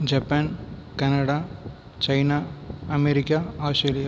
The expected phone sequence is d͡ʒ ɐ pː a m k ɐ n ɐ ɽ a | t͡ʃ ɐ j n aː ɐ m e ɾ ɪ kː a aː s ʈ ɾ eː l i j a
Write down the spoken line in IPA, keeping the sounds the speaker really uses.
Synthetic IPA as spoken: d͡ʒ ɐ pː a n k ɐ n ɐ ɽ a | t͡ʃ ɐ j n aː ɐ m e ɾ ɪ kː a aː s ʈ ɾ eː l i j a